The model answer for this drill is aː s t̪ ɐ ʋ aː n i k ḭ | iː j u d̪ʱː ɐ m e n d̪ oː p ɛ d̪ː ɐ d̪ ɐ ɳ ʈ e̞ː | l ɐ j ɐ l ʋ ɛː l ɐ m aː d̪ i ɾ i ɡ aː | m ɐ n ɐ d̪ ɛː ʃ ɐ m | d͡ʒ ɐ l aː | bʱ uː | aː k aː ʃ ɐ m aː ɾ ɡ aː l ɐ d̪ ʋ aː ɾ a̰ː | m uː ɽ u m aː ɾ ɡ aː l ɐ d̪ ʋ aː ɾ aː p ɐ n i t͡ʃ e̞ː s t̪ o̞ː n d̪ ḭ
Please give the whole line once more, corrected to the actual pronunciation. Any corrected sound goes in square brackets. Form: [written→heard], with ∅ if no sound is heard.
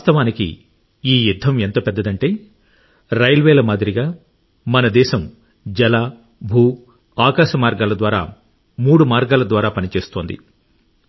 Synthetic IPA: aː s t̪ ɐ ʋ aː n i k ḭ | iː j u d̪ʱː ɐ m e n [d̪→t̪] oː p ɛ d̪ː ɐ d̪ ɐ ɳ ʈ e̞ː | [l→ɾ] ɐ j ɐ l ʋ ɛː l ɐ m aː d̪ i ɾ i ɡ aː | m ɐ n ɐ d̪ ɛː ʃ ɐ m | d͡ʒ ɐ l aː | bʱ uː | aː k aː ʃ ɐ m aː ɾ ɡ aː l ɐ d̪ ʋ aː ɾ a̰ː | m uː ɽ u m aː ɾ ɡ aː l ɐ d̪ ʋ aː ɾ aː p ɐ n i t͡ʃ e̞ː s t̪ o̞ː n d̪ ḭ

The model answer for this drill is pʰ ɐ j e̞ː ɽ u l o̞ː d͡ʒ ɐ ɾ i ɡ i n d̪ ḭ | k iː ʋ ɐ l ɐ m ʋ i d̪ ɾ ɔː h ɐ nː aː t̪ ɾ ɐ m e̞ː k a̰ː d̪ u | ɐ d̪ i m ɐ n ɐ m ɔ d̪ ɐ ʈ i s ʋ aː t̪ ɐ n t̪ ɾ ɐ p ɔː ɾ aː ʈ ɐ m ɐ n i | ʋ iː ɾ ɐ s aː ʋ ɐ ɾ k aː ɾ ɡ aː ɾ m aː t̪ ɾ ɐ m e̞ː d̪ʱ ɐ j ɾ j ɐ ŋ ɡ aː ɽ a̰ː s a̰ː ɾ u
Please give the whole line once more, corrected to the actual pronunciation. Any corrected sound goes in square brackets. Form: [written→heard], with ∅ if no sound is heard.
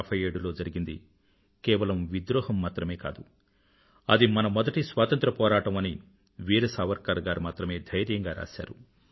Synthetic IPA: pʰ ɐ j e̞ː ɽ u l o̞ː d͡ʒ ɐ ɾ i ɡ i n d̪ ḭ | k [iː→ɛː] ʋ ɐ l ɐ m ʋ i d̪ ɾ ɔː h ɐ [nː→mː] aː t̪ ɾ ɐ m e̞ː k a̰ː d̪ u | ɐ d̪ i m ɐ n ɐ m ɔ d̪ ɐ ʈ i s ʋ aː t̪ ɐ n t̪ ɾ ɐ p ɔː ɾ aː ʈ ɐ m ɐ n i | ʋ iː ɾ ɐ s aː ʋ ɐ ɾ k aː ɾ ɡ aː ɾ m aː t̪ ɾ ɐ m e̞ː d̪ʱ ɐ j ɾ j ɐ ŋ ɡ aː [ɽ→ɾ] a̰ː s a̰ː ɾ u

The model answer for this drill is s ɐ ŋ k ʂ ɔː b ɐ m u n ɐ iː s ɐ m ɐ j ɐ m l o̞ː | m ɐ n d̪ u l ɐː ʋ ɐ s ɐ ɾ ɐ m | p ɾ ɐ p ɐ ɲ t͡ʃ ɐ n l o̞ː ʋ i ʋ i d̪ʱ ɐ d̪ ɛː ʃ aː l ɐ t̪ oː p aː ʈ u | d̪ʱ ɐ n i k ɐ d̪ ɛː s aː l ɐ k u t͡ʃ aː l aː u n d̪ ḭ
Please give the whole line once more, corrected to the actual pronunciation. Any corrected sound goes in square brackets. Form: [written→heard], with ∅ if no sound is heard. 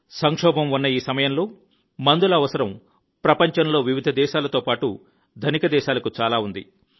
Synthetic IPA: s ɐ ŋ k ʂ ɔː b ɐ m u [n→nː] ɐ iː s ɐ m ɐ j ɐ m l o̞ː | m ɐ n d̪ u l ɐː ʋ ɐ s ɐ ɾ ɐ m | p ɾ ɐ p ɐ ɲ t͡ʃ ɐ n l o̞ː ʋ i ʋ i d̪ʱ ɐ d̪ ɛː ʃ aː l ɐ t̪ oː p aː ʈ u | d̪ʱ ɐ n i k ɐ d̪ ɛː [s→ʃ] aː l ɐ k u t͡ʃ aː l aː u n d̪ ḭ

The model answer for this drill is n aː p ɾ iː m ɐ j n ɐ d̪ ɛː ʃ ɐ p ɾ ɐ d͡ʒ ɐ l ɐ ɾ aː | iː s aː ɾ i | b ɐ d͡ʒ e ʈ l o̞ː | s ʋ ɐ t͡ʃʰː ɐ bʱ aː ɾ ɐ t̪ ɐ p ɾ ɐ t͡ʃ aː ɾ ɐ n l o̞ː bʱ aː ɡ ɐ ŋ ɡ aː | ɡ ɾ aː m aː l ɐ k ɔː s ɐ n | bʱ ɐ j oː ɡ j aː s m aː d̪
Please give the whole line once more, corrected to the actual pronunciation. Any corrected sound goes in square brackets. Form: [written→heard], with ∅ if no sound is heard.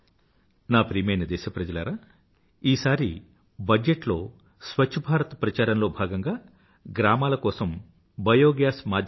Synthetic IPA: n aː p ɾ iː m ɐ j n ɐ d̪ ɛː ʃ ɐ p ɾ ɐ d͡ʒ ɐ l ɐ ɾ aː | iː s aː ɾ i | b ɐ d͡ʒ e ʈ l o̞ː | s ʋ ɐ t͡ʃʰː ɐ bʱ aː ɾ ɐ t̪ ɐ p ɾ ɐ t͡ʃ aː ɾ ɐ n l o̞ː bʱ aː ɡ ɐ ŋ ɡ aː | ɡ ɾ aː m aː l ɐ k ɔː s ɐ [n→m] | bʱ ɐ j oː ɡ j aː s m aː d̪

